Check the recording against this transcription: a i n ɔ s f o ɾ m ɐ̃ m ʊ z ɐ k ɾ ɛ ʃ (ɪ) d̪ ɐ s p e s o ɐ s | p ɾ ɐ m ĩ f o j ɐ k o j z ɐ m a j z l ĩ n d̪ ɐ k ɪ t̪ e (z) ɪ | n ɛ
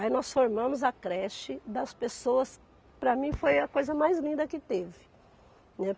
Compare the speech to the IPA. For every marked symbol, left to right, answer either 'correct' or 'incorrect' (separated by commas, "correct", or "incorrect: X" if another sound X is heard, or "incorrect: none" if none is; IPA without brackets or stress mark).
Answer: correct, incorrect: v